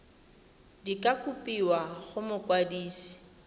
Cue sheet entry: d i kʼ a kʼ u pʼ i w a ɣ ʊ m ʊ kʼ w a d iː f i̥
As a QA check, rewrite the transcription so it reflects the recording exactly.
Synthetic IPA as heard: d i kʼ a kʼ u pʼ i w a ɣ ʊ m ʊ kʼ w a d iː s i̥